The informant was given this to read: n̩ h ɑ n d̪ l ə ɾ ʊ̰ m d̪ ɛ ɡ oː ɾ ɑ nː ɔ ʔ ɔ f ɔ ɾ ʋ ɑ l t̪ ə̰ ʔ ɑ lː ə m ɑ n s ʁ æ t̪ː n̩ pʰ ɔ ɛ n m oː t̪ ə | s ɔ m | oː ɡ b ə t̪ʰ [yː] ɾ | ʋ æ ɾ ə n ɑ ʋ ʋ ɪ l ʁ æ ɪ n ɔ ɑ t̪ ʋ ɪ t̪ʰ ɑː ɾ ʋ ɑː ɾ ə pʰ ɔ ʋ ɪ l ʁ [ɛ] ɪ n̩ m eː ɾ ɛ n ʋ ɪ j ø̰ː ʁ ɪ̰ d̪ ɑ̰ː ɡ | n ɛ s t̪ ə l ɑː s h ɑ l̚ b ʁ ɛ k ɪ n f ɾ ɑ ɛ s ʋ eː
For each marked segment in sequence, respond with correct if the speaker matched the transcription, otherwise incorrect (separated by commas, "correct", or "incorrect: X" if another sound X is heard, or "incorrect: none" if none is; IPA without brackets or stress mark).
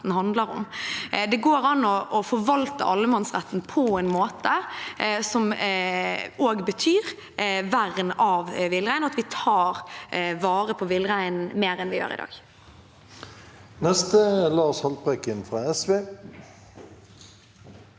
correct, incorrect: æ